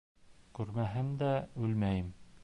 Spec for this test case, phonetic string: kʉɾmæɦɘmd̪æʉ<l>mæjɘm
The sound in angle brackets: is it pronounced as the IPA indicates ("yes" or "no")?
yes